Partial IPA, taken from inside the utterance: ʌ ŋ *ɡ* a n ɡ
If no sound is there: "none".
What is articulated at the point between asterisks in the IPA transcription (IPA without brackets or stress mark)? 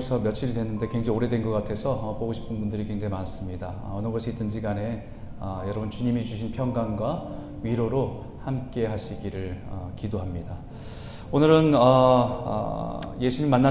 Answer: ɡ